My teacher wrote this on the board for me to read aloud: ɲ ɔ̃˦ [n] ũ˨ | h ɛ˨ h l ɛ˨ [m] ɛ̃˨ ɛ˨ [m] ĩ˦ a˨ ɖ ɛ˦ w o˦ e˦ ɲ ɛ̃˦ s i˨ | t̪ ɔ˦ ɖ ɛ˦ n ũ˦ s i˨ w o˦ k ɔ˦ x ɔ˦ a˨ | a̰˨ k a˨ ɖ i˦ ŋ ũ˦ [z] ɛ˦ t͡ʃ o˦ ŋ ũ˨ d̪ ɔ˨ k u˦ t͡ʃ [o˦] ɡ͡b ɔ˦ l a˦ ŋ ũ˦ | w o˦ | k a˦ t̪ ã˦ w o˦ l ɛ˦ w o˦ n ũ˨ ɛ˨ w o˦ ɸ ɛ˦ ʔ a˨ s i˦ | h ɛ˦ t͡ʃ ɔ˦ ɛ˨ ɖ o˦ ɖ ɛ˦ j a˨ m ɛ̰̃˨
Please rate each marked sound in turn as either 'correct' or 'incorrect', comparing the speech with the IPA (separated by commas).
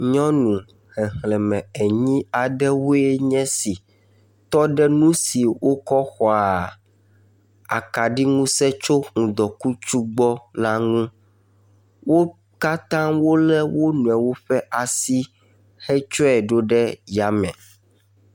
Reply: correct, correct, incorrect, incorrect, incorrect